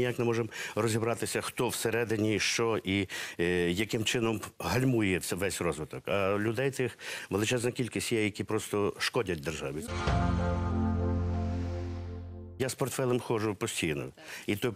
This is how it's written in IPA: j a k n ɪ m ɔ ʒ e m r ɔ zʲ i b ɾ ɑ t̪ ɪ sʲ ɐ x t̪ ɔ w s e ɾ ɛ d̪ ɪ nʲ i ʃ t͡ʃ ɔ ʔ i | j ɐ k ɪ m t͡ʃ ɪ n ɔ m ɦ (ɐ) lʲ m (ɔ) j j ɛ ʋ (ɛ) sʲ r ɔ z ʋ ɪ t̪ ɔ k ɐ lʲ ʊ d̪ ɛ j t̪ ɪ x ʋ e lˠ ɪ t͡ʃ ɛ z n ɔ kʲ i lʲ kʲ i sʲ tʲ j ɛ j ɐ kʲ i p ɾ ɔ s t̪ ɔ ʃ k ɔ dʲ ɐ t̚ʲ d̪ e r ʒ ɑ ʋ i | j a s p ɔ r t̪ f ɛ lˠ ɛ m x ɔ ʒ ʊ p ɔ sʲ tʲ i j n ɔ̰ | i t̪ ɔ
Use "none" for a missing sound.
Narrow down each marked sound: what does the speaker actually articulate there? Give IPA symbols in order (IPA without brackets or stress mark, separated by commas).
ɐ, u, ɛ